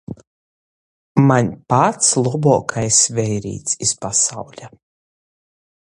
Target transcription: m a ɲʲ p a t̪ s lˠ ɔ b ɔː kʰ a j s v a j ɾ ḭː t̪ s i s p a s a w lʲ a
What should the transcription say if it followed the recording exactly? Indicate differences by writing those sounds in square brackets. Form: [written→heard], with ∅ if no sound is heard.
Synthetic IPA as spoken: m a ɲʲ p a t̪ s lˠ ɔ b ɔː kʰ a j s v [a→ɛ] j ɾ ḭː t̪ s i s p a s a w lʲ a